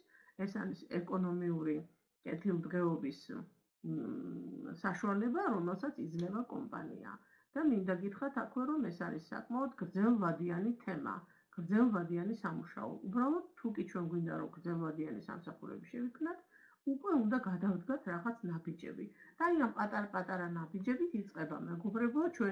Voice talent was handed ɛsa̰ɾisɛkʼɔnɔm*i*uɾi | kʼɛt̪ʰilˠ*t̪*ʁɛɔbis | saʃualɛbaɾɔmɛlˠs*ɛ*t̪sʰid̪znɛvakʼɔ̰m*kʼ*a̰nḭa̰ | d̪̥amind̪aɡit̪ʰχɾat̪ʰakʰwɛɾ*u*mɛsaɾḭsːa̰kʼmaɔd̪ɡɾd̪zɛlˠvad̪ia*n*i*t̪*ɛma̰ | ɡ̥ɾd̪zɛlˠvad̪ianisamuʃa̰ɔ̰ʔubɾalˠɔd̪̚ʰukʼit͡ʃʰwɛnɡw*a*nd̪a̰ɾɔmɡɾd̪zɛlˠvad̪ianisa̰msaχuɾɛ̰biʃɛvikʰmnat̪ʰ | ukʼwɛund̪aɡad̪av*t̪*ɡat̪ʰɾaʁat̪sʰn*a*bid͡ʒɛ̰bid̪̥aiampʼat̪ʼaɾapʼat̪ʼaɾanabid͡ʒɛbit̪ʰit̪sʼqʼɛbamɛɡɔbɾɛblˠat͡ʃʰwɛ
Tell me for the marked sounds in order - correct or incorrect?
correct, incorrect: d̪, incorrect: a, incorrect: pʼ, incorrect: ɔ, correct, incorrect: t̪ʰ, incorrect: i, incorrect: d̪, correct

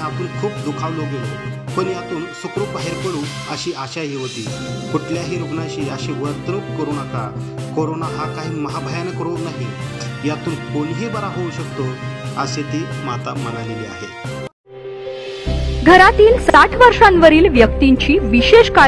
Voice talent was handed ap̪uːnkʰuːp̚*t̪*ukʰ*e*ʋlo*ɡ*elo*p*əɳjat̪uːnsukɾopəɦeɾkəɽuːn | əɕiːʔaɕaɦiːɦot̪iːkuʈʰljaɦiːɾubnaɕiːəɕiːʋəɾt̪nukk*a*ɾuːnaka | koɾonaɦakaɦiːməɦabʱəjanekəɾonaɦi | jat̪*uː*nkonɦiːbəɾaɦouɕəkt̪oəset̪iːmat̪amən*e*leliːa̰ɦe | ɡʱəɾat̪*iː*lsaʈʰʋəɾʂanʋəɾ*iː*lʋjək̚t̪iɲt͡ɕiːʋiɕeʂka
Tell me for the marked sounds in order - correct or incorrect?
incorrect: d̪, incorrect: a, correct, correct, incorrect: ə, correct, incorrect: a, correct, correct

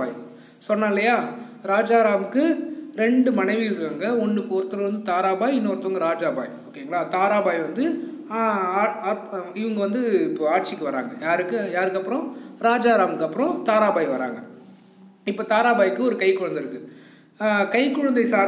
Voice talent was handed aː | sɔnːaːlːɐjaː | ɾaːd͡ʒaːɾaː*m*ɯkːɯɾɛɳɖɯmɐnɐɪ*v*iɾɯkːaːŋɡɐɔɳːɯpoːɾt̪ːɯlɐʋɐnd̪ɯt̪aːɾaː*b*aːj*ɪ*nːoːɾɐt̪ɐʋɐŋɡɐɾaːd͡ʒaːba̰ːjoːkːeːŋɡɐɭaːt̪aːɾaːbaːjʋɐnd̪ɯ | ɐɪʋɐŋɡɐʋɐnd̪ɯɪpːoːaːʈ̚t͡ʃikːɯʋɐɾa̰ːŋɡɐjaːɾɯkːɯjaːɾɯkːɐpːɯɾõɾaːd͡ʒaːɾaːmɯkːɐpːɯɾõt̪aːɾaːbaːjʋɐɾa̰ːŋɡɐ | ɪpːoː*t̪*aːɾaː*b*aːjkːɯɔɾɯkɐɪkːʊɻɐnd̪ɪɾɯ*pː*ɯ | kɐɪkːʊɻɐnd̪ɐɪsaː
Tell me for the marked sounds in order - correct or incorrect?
correct, incorrect: ʋ, correct, correct, correct, correct, incorrect: kː

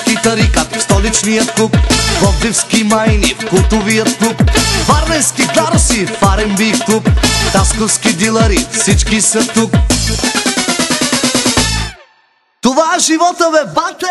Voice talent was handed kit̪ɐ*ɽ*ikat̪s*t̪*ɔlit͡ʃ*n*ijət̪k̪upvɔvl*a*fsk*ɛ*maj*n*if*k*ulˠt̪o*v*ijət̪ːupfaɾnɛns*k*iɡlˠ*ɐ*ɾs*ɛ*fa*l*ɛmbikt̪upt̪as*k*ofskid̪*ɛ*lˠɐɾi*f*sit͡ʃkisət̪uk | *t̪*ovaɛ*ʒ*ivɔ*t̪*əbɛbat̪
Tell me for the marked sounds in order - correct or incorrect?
incorrect: ɾ, correct, correct, incorrect: i, incorrect: i, correct, correct, correct, correct, incorrect: a, incorrect: i, incorrect: ɾ, correct, incorrect: i, correct, correct, correct, correct

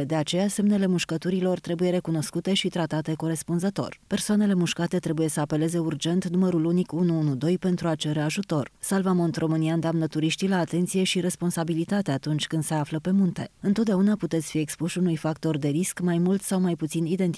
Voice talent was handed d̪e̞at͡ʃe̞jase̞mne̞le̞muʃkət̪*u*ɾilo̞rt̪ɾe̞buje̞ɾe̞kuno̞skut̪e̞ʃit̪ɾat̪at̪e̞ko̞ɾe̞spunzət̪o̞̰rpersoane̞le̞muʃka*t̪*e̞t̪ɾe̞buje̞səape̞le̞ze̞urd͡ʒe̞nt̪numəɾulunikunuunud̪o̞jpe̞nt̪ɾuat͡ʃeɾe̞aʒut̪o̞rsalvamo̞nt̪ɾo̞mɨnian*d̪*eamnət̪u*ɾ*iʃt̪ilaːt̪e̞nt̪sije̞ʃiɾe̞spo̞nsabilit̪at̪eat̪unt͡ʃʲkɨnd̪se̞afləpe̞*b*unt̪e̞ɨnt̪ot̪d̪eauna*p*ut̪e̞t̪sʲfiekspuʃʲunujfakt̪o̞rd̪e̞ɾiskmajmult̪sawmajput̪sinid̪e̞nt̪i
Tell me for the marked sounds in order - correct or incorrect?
correct, correct, correct, correct, incorrect: m, correct

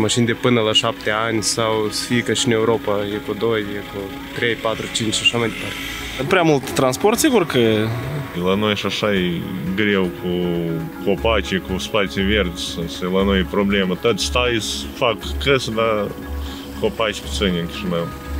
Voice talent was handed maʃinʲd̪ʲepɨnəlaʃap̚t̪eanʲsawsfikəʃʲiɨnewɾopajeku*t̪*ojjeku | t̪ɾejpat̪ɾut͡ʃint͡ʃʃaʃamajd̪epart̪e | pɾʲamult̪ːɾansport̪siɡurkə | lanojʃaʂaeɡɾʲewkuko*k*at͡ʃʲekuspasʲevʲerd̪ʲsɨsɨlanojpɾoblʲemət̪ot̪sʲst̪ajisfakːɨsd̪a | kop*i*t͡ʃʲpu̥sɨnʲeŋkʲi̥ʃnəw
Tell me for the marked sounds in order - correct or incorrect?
incorrect: d̪, incorrect: p, incorrect: a

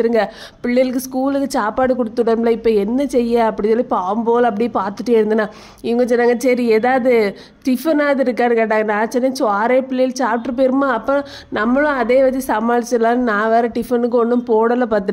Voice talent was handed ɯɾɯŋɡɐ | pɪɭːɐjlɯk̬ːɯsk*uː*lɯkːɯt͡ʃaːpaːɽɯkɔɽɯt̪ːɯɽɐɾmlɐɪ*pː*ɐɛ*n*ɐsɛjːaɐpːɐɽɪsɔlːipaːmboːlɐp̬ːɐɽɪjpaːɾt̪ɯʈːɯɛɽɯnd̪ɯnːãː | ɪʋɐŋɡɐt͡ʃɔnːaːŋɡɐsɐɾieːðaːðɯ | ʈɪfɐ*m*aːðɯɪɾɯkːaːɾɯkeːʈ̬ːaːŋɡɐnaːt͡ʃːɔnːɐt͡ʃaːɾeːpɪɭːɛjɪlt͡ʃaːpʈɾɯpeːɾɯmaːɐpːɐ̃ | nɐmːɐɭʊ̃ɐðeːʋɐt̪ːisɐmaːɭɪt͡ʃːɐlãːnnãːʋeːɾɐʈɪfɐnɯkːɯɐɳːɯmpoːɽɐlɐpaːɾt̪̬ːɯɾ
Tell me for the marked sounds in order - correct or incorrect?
correct, correct, incorrect: nː, incorrect: n

